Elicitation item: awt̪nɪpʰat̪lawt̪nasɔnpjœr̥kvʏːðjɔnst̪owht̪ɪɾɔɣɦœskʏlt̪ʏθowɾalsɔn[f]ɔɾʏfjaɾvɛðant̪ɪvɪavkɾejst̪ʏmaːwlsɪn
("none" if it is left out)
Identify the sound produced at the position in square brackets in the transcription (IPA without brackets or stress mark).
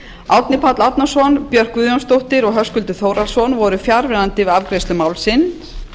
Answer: v